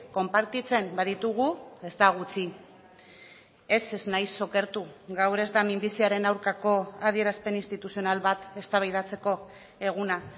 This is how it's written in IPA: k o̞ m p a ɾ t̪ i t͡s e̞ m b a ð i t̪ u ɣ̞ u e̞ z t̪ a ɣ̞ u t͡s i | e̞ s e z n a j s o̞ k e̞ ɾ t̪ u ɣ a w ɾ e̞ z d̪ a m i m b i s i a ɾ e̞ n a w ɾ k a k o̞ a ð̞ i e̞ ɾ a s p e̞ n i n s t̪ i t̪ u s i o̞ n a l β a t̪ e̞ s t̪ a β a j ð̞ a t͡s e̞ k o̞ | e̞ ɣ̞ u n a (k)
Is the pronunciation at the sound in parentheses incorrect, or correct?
incorrect